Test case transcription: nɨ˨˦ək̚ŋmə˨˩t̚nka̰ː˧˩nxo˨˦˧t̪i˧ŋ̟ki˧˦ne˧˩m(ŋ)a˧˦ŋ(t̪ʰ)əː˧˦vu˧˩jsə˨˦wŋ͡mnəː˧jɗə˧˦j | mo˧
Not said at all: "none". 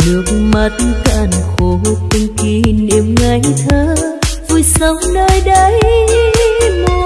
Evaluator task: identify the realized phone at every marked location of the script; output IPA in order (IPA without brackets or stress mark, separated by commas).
ŋ, t̪ʰ